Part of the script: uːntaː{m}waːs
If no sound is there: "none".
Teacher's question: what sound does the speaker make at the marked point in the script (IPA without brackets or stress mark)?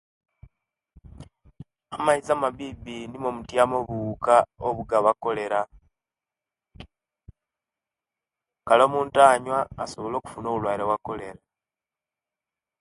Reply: ɲ